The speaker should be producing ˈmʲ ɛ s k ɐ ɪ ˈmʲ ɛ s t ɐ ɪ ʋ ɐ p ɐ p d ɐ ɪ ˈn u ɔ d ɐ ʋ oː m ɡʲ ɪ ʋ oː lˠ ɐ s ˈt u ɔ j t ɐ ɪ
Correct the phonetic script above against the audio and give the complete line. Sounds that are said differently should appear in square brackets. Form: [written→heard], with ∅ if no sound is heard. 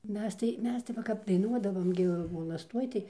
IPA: ˈmʲ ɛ s [k→t] ɐ ɪ ˈmʲ ɛ s t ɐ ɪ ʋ ɐ [p→k] ɐ p d ɐ ɪ ˈn u ɔ d ɐ ʋ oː m ɡʲ ɪ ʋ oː lˠ ɐ s ˈt u ɔ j t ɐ ɪ